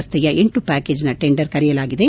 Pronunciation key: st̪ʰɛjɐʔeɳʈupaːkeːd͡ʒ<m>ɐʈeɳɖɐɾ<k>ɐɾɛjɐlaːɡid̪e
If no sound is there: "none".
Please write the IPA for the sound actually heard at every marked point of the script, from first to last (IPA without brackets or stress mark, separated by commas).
n, k